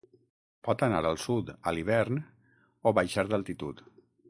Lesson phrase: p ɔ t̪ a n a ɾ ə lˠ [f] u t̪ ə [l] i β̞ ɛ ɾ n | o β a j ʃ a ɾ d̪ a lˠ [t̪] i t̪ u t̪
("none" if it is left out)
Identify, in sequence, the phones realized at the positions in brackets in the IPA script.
s, l, t̪

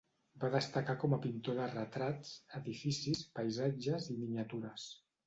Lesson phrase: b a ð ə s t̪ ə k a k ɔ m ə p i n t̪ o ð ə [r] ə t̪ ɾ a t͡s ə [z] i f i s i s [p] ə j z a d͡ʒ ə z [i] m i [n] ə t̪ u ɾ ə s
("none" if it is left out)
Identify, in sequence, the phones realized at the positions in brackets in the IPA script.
r, ð, p, i, ɲ

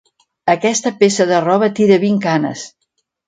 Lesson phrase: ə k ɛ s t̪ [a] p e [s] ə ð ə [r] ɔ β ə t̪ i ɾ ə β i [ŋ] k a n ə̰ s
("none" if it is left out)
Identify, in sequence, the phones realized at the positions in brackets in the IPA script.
ə, s, r, ŋ

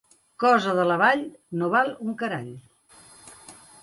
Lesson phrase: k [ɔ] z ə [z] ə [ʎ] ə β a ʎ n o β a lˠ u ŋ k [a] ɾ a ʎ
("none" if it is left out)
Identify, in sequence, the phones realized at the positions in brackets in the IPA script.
ɔ, ð, l, ə

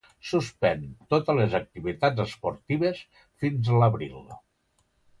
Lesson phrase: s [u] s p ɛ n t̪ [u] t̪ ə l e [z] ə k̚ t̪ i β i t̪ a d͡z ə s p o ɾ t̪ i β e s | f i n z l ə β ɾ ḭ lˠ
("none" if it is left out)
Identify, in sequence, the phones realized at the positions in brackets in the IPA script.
u, o, z

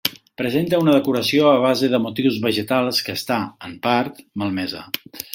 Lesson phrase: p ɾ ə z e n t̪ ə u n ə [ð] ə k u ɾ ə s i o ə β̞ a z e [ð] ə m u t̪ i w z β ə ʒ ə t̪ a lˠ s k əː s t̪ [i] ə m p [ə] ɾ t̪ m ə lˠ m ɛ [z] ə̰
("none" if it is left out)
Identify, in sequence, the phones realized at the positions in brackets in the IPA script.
ð, ð, a, a, z

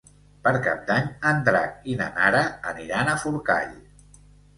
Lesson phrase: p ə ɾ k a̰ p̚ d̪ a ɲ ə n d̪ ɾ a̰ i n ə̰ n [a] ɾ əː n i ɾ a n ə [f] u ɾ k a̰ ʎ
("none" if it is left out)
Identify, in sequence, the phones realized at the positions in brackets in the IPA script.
a, f

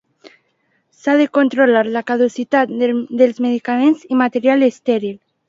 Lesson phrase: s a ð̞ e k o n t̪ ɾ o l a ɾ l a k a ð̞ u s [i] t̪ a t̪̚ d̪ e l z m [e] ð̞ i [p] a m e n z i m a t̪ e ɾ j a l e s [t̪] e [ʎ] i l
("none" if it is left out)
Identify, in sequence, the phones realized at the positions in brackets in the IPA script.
i, e, k, t̪, ɾ

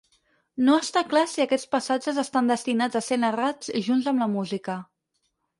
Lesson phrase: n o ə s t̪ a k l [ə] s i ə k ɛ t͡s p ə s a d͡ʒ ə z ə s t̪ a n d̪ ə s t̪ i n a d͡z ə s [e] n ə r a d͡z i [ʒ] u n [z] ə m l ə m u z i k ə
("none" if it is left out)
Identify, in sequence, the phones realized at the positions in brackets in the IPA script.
a, e, ʒ, z

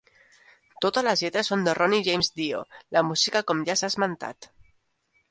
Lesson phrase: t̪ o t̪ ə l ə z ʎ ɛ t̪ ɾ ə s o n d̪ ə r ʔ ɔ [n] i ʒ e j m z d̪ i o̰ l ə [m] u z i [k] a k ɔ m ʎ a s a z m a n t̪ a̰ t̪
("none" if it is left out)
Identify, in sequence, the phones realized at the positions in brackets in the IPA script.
n, m, k

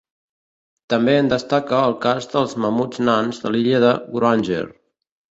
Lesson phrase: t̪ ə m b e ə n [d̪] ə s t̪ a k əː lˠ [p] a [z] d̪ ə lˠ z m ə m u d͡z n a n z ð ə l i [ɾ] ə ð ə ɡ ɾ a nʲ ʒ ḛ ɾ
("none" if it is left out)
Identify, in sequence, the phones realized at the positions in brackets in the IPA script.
d̪, k, z, ʎ

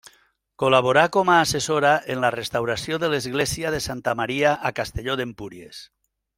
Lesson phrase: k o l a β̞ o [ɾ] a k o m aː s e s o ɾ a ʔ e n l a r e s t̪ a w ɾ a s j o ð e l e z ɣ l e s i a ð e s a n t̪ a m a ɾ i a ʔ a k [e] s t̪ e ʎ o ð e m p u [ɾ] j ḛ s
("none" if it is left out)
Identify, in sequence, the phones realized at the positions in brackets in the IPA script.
ɾ, a, ɾ

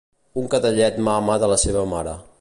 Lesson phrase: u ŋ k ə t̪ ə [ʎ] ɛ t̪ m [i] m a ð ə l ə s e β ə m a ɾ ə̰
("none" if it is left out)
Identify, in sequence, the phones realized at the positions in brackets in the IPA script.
ʎ, a

